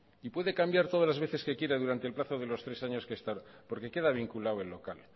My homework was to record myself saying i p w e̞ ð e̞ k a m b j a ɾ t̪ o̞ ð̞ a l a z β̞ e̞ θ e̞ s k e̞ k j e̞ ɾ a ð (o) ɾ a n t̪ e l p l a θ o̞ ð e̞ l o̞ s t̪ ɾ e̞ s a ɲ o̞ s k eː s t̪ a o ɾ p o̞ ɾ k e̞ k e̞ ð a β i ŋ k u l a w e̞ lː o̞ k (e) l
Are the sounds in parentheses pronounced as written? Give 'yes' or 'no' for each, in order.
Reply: no, no

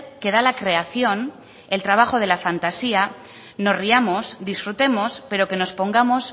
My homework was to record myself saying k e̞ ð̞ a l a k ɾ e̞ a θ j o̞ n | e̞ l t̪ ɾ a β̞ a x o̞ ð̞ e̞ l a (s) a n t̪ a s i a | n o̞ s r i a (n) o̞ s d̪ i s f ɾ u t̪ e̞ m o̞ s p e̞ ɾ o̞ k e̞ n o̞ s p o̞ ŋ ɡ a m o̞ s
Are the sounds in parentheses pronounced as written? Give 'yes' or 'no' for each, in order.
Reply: no, no

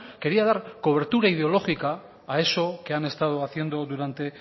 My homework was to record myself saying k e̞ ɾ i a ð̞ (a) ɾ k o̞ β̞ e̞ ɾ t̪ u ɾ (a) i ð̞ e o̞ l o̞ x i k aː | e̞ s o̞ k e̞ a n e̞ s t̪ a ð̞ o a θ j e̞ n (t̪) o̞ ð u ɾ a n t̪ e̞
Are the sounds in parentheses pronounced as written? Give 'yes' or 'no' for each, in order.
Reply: yes, yes, no

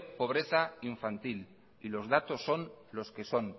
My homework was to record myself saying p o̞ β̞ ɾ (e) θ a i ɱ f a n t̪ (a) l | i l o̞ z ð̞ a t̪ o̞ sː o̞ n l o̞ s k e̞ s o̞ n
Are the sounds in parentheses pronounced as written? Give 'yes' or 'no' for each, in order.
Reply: yes, no

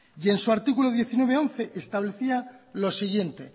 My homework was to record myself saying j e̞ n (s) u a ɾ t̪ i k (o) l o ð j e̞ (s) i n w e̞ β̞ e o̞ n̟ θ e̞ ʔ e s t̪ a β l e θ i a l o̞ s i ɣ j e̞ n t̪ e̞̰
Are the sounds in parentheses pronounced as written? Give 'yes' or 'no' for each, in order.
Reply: yes, no, no

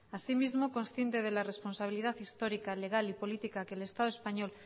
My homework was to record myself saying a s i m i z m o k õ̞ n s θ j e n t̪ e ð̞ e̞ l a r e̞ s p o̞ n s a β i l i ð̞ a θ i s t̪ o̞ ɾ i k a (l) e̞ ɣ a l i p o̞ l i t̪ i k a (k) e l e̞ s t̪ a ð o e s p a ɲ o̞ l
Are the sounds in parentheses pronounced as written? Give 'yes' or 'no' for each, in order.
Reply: yes, yes

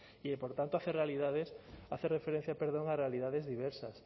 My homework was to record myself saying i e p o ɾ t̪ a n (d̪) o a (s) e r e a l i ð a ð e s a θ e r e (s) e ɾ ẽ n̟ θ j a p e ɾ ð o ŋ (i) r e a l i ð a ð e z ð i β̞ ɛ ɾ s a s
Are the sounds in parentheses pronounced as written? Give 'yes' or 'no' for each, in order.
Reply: no, no, no, no

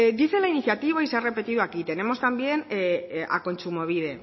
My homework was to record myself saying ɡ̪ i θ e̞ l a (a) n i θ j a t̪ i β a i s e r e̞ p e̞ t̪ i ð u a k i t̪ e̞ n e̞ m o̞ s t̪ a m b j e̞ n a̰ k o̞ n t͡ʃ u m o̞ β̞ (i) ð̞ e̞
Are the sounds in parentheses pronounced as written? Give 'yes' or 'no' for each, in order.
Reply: no, yes

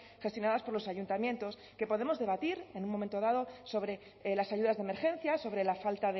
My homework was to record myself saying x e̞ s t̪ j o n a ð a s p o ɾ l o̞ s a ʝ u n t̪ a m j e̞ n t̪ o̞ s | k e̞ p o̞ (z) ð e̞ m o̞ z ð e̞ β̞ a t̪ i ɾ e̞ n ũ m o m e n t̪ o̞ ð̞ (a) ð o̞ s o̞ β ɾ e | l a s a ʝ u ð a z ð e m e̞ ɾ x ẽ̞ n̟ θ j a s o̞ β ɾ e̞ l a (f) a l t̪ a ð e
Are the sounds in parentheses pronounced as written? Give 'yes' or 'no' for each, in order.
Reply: no, yes, yes

